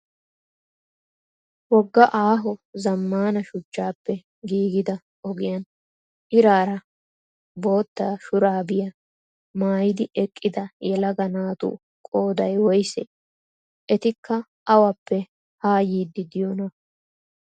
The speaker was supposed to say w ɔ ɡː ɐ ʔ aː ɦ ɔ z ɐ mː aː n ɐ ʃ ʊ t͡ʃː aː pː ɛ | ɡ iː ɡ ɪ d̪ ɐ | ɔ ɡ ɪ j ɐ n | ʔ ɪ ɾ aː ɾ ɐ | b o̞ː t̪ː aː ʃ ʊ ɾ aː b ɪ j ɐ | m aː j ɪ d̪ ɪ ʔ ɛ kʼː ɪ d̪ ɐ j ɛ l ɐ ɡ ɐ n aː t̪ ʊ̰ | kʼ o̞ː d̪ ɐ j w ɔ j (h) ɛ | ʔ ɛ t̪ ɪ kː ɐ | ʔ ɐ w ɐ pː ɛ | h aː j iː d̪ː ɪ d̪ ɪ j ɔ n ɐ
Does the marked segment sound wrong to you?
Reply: yes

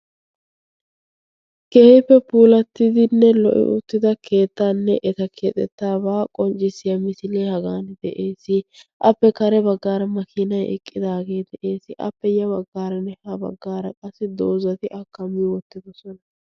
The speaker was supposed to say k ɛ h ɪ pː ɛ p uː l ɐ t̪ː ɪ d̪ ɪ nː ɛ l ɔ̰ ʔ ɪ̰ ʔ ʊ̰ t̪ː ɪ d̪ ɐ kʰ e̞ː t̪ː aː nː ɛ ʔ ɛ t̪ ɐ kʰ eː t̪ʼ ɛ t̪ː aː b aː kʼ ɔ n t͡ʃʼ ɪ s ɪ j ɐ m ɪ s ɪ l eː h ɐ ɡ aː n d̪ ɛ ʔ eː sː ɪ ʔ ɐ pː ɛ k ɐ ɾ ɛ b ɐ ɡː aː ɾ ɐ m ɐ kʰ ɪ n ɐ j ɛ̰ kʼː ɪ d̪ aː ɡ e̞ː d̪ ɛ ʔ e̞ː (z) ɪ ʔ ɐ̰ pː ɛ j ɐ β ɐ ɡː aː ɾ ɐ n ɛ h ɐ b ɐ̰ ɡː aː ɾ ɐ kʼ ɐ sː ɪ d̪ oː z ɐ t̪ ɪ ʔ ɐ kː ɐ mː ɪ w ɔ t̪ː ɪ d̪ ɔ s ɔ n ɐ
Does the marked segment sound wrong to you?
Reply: yes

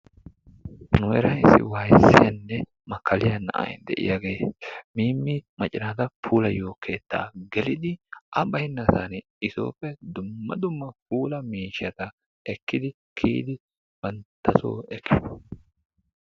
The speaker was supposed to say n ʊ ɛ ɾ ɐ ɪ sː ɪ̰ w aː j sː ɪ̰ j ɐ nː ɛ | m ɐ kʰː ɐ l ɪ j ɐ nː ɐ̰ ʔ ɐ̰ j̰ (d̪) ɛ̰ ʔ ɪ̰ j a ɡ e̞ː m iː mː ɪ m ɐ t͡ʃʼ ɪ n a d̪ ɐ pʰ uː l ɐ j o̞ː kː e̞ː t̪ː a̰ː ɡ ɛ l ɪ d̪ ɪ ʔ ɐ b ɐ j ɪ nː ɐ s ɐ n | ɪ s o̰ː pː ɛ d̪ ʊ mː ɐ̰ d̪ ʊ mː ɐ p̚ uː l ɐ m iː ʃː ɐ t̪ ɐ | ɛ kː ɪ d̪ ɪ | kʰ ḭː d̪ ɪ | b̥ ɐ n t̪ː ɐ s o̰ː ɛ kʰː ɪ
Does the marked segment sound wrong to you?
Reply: no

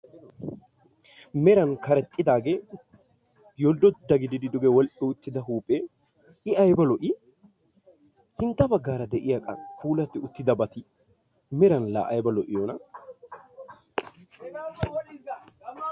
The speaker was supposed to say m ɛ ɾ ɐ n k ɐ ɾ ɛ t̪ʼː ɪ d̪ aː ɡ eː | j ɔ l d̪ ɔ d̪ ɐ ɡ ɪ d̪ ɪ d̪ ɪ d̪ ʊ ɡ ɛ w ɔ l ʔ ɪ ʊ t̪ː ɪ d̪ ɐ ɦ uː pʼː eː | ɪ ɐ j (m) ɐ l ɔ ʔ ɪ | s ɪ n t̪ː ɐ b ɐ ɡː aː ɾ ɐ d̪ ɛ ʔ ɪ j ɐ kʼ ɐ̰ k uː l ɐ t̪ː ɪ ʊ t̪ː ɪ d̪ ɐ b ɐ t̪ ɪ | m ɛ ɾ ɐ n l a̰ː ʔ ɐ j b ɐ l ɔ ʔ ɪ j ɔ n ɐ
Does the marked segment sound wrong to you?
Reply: yes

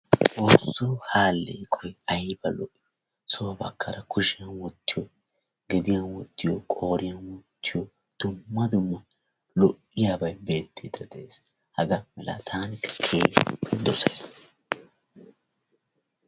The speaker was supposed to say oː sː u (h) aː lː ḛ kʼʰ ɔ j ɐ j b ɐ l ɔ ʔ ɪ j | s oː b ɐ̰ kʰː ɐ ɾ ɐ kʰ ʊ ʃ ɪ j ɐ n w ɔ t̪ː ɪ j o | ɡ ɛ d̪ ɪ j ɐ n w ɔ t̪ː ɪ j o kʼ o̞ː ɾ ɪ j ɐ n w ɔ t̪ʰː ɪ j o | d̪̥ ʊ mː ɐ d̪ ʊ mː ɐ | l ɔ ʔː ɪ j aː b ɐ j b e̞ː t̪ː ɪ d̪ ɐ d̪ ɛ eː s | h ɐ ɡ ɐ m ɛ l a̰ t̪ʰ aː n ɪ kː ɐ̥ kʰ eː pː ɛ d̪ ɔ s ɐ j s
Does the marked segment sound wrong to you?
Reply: no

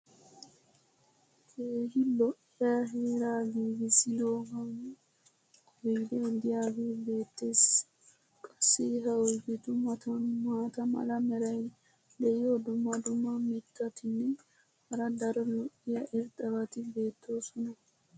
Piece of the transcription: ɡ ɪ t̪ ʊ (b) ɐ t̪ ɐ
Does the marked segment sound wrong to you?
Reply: yes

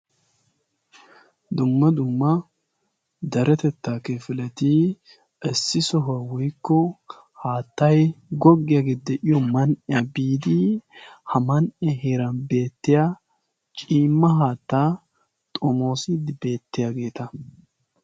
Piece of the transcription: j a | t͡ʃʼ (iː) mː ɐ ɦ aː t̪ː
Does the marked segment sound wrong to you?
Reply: no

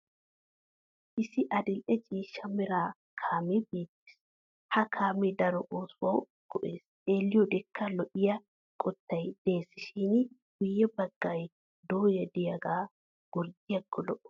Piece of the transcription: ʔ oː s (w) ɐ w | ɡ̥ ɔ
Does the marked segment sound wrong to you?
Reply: no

